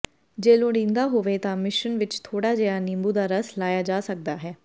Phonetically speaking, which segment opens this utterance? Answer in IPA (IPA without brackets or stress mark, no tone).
d͡ʒ